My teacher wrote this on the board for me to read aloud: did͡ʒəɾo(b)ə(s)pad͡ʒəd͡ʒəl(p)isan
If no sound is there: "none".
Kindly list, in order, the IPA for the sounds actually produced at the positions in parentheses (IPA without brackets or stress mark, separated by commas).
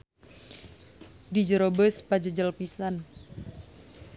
b, s, p